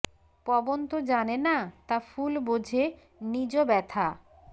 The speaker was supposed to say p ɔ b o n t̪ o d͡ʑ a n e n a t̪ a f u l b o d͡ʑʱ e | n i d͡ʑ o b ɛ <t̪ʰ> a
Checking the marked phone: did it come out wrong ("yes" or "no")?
no